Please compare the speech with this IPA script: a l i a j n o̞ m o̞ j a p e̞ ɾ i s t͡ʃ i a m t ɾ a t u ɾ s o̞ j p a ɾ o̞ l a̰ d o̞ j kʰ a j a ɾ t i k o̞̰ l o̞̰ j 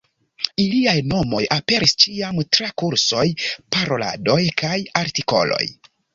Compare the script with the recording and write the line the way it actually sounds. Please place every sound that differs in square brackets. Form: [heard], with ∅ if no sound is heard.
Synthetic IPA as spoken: [i] l i a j n o̞ m o̞ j a p e̞ ɾ i s t͡ʃ i a m t ɾ a [k] u ɾ s o̞ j p a ɾ o̞ l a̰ d o̞ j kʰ a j a ɾ t i k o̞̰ l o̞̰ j